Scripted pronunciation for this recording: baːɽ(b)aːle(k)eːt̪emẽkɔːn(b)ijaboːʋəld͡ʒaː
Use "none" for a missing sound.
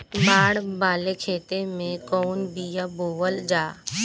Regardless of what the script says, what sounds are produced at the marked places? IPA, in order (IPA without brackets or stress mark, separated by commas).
b, kʰ, b